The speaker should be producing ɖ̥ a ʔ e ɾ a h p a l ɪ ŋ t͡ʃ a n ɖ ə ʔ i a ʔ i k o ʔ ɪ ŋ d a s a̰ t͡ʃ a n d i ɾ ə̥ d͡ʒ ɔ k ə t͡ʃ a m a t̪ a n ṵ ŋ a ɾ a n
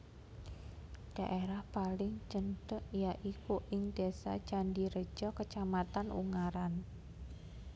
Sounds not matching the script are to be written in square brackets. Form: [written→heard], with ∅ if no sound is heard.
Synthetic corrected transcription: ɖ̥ a ʔ e ɾ a h p a l ɪ ŋ t͡ʃ [a→ə] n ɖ ə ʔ [i→j] a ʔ i k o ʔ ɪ ŋ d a s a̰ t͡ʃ a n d i ɾ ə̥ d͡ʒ ɔ k ə t͡ʃ a m a t̪ a n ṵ ŋ a ɾ a n